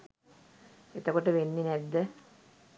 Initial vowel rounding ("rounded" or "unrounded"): unrounded